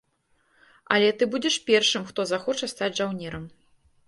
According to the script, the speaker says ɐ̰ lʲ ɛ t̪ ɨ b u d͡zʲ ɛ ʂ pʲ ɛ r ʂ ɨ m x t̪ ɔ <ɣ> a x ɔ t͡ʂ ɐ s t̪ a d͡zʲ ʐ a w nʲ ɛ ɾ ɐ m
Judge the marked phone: incorrect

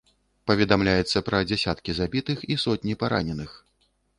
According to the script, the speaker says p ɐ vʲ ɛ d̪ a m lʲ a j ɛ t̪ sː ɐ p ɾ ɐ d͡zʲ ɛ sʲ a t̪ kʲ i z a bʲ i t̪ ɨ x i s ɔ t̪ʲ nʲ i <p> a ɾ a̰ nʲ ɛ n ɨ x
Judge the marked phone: correct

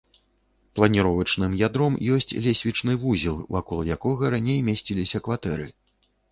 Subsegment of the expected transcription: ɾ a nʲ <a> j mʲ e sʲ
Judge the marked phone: incorrect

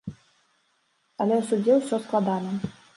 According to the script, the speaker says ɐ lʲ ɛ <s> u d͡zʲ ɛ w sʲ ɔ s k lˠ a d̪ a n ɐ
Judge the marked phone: correct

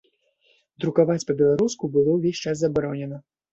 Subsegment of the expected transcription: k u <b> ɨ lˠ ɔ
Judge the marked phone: correct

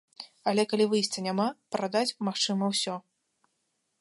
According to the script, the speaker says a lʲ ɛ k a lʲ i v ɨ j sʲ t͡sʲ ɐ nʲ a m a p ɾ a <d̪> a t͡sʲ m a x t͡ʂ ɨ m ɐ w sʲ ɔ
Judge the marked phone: correct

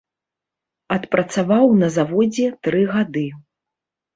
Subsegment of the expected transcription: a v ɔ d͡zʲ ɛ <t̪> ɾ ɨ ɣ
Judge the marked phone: correct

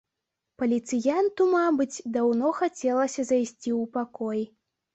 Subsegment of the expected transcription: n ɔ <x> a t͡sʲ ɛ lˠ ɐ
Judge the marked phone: correct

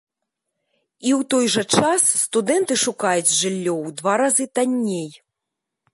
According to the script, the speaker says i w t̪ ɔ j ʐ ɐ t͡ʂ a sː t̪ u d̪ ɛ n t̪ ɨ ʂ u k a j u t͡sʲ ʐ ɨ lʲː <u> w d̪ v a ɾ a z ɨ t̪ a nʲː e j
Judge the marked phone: incorrect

